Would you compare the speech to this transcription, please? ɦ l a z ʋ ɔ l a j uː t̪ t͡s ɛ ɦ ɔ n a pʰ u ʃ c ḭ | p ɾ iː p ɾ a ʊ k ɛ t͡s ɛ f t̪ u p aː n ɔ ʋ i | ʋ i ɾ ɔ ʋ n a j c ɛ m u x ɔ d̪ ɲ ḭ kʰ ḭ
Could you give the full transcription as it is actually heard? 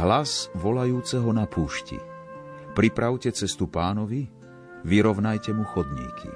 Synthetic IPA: ɦ l a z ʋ ɔ l a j uː t͡s ɛ ɦ ɔ n a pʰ uː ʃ c ḭ | p ɾ i p ɾ a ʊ c ɛ t͡s ɛ s t̪ u p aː n ɔ ʋ i | ʋ i ɾ ɔ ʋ n a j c ɛ m u x ɔ d̪ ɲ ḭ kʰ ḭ